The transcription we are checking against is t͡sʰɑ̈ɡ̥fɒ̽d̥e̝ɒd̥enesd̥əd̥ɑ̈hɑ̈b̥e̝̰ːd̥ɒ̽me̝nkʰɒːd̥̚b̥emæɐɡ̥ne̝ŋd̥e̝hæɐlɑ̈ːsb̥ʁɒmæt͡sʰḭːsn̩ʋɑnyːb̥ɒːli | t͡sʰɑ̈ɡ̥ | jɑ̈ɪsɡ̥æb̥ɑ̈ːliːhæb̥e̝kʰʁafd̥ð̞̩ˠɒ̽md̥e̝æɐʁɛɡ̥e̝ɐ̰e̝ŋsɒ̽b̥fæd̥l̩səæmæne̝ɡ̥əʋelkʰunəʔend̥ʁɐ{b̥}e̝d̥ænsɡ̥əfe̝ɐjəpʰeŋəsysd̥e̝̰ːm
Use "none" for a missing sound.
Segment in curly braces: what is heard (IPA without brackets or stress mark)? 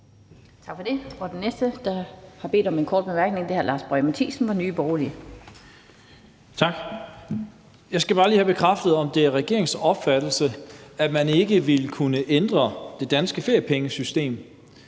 d̥